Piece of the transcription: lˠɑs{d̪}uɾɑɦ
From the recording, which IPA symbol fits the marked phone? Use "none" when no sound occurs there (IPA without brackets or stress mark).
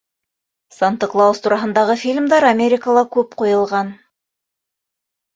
t̪